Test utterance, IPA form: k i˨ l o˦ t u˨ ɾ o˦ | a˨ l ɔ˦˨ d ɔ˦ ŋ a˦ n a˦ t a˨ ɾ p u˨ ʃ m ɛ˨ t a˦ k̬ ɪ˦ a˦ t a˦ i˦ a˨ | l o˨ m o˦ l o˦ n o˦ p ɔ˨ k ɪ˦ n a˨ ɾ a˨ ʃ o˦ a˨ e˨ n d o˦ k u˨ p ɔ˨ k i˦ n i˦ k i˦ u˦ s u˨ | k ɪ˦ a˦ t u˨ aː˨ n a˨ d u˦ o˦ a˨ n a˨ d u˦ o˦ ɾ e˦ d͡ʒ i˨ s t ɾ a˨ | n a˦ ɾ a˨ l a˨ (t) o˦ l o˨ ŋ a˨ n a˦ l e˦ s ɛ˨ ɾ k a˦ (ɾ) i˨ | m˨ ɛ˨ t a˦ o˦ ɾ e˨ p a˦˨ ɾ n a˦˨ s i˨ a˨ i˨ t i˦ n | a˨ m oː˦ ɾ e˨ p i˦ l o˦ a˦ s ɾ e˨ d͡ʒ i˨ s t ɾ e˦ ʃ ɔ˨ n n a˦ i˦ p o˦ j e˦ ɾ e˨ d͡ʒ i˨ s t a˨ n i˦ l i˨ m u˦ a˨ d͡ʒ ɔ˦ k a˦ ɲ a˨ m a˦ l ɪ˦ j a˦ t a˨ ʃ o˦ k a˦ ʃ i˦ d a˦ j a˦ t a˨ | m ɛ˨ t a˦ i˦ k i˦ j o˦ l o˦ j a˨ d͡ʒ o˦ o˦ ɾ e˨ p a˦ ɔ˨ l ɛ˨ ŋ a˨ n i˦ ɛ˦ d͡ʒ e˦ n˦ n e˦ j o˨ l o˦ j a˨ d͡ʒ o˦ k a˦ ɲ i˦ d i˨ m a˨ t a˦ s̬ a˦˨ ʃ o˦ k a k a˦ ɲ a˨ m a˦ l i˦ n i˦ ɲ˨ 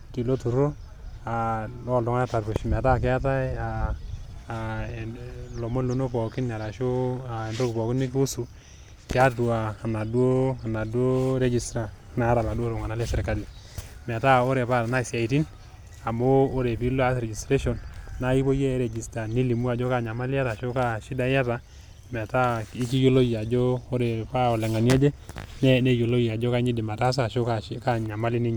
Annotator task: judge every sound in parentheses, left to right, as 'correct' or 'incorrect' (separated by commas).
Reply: incorrect, incorrect